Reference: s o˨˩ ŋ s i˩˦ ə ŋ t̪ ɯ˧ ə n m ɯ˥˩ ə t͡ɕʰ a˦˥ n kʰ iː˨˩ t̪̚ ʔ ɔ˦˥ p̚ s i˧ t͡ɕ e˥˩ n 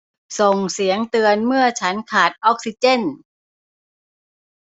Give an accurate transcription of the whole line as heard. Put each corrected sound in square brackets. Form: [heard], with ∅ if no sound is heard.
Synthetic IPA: s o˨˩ ŋ s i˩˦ ə ŋ t̪ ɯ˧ ə n m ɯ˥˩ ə t͡ɕʰ a˦˥ n kʰ [aː˨˩] t̪̚ ʔ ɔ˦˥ [k̚] s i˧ t͡ɕ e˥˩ n